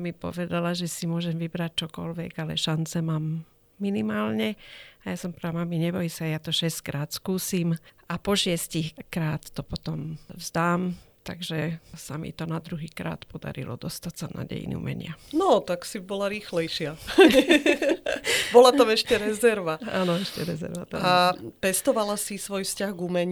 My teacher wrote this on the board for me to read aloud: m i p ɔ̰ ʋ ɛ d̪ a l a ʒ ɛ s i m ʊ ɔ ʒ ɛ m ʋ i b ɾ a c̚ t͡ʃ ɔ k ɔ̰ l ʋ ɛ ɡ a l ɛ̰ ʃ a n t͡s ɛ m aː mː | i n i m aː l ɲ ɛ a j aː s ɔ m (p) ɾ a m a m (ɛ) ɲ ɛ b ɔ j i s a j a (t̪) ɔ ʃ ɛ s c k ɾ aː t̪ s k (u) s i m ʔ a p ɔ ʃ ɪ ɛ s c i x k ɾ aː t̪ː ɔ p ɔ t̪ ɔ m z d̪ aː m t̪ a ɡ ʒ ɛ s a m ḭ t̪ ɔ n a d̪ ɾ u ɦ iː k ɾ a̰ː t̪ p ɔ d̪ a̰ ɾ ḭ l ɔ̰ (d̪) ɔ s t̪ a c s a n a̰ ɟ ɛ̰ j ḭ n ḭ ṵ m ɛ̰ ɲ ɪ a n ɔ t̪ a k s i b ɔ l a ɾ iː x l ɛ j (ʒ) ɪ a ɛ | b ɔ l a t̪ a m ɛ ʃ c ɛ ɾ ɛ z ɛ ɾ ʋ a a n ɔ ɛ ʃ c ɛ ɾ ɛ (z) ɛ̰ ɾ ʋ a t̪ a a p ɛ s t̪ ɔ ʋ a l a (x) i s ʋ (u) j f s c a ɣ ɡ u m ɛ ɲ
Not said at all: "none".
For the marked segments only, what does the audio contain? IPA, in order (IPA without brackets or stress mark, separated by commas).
p, i, t̪, uː, d̪, ʃ, z, s, ɔ